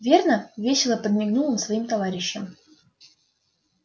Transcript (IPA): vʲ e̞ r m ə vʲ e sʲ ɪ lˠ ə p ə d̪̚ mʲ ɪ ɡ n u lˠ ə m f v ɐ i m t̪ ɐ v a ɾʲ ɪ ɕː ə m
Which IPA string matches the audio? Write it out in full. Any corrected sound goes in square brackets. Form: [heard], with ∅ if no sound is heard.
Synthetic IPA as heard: vʲ e̞ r [n] ə vʲ e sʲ ɪ lˠ ə p ə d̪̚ mʲ ɪ ɡ n u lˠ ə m [s] v ɐ i m t̪ ɐ v a ɾʲ ɪ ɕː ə m